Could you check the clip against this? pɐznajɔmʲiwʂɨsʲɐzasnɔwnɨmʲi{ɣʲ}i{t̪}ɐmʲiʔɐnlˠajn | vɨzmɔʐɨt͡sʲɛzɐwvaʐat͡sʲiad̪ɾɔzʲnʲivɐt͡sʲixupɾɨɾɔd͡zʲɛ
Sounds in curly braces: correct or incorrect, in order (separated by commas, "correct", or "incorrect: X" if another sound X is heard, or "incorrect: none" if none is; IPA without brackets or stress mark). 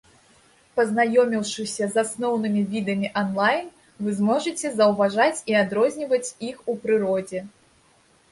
incorrect: vʲ, incorrect: d̪